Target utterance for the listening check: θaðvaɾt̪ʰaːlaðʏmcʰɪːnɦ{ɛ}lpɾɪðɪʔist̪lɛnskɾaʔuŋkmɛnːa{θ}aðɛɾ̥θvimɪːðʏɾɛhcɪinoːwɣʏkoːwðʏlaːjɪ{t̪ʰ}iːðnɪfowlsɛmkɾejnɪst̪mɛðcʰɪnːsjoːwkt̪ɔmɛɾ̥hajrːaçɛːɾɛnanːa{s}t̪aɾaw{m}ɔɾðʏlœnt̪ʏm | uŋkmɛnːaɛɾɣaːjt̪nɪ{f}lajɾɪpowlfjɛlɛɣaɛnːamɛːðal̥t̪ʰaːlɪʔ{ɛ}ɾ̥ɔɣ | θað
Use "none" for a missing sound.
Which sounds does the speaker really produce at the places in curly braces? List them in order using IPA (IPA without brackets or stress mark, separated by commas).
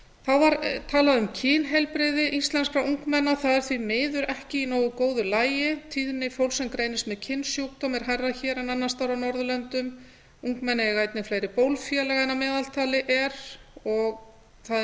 ɛ, θ, t̪ʰ, s, n, f, ɛ